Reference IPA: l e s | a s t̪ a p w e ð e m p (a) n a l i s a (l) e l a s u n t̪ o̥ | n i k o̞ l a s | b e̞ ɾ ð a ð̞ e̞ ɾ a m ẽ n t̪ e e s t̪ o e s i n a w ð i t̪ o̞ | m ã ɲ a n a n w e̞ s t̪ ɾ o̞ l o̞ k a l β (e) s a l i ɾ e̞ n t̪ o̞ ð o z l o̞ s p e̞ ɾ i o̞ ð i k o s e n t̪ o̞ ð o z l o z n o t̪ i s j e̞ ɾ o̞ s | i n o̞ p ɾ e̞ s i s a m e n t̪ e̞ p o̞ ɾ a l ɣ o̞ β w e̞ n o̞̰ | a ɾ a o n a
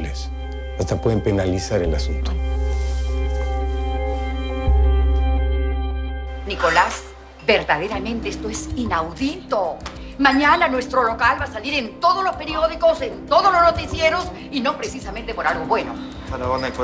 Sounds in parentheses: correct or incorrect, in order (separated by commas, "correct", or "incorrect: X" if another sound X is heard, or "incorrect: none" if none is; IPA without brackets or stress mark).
incorrect: e, incorrect: ɾ, incorrect: a